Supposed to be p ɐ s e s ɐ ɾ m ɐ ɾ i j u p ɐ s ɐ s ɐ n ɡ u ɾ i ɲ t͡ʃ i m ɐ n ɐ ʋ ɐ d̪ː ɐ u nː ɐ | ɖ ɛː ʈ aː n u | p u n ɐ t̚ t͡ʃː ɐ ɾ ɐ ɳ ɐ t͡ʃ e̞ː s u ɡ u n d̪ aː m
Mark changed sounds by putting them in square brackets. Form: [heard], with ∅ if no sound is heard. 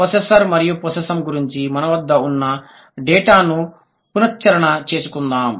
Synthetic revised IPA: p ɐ s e s ɐ ɾ m ɐ ɾ i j u p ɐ s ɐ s ɐ [m] ɡ u ɾ i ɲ t͡ʃ i m ɐ n ɐ ʋ ɐ d̪ː ɐ u nː ɐ | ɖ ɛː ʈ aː n u | p u n ɐ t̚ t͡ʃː ɐ ɾ ɐ ɳ ɐ t͡ʃ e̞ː s u [k] u n d̪ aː m